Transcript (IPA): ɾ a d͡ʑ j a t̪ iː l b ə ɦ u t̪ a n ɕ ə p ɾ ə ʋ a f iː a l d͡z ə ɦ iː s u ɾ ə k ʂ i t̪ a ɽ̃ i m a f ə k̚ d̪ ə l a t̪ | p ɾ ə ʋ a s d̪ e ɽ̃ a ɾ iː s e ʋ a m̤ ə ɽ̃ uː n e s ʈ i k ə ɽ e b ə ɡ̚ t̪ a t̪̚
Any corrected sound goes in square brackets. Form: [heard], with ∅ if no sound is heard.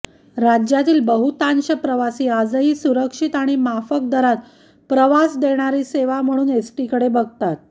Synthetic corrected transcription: ɾ a d͡ʑ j a t̪ iː l b ə ɦ u t̪ a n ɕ ə p ɾ ə ʋ a [s] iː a [∅] d͡z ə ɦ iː s u ɾ ə k ʂ i t̪ a ɽ̃ i m a f ə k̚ d̪ ə [ɾ] a t̪ | p ɾ ə ʋ a s d̪ e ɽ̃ a ɾ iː s e ʋ a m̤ ə ɽ̃ uː n e s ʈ i k ə ɽ e b ə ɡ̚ t̪ a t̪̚